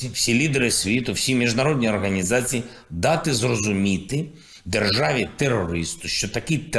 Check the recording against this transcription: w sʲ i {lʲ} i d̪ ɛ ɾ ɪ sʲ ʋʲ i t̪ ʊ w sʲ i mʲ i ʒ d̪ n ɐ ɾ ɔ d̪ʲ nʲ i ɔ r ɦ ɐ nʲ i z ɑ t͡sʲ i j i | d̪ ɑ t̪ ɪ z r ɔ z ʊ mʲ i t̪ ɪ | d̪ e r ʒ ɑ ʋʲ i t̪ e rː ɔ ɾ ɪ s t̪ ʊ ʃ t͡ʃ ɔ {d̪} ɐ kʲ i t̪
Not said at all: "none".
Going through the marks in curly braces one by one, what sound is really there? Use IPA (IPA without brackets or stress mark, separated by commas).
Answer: lʲ, t̪